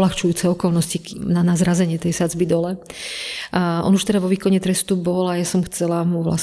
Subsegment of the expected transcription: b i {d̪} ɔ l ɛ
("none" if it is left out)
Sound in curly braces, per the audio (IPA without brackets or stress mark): d̪